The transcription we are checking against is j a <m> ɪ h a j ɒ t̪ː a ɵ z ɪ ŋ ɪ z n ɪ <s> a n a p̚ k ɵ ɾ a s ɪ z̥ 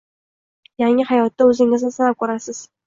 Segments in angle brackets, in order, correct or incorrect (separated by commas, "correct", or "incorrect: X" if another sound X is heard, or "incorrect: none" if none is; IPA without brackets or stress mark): incorrect: ŋ, correct